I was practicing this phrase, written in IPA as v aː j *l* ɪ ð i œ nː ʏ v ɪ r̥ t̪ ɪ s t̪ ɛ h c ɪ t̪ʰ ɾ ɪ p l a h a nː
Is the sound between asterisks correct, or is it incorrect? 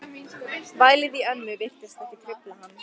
correct